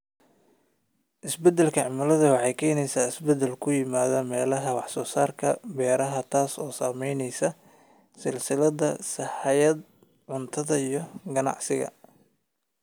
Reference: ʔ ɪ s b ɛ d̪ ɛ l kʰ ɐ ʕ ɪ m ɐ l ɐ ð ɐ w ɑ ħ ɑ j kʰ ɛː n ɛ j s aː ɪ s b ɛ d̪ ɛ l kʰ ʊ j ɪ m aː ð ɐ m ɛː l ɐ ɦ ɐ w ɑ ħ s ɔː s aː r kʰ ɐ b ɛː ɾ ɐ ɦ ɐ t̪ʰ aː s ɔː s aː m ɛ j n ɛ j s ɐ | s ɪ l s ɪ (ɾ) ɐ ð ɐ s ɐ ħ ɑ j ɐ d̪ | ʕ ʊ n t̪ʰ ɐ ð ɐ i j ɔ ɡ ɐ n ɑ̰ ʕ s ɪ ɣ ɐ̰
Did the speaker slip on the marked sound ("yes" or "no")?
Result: yes